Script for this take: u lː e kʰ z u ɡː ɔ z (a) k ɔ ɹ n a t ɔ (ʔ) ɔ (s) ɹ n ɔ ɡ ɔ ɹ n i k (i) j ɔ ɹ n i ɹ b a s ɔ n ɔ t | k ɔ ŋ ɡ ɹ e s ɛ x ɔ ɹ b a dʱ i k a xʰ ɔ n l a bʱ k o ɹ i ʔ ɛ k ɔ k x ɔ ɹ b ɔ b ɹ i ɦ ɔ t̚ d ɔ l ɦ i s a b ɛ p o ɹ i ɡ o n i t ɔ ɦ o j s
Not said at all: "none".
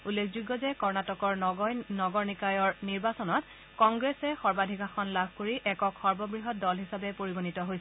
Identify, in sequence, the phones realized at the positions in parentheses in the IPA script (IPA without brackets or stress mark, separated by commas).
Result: ɛ, k, none, a